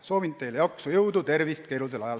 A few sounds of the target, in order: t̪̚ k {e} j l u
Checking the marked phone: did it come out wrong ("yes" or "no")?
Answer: no